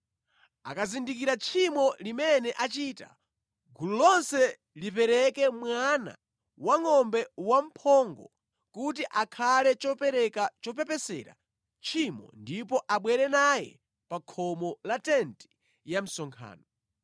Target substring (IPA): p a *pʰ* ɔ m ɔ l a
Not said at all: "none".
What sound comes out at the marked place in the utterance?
kʰ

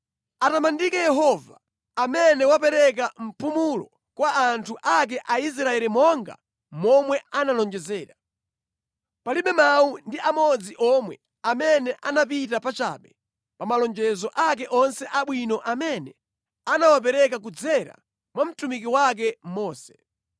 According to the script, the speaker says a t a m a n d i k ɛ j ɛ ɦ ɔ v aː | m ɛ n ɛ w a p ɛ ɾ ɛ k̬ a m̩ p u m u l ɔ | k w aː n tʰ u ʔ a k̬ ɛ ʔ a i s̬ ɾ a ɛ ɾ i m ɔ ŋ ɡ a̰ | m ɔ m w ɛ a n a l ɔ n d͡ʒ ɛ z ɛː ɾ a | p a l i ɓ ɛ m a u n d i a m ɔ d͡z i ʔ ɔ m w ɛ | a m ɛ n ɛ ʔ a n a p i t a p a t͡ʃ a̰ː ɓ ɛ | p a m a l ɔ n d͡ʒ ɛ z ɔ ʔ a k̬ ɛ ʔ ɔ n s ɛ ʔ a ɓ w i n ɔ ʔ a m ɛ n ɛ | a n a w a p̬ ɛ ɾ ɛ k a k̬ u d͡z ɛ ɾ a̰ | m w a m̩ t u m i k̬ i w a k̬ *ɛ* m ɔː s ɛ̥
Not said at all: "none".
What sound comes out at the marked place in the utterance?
ɛ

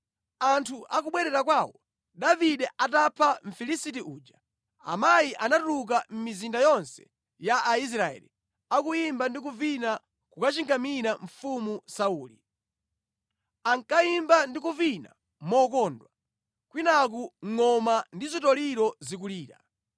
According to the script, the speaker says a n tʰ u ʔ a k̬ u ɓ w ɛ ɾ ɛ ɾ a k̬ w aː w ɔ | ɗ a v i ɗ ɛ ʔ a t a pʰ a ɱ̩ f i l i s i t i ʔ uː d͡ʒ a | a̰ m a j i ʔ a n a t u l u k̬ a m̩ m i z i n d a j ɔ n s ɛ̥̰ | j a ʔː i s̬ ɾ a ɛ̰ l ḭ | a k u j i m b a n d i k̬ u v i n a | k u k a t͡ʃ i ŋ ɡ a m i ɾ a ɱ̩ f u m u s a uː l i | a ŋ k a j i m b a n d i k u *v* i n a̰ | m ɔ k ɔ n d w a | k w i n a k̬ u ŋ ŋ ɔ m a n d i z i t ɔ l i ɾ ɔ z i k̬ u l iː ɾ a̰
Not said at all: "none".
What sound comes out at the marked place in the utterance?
v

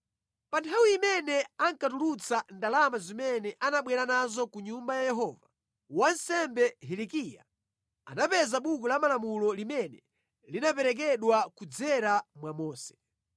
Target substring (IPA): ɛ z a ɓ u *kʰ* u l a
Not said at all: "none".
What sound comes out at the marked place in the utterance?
k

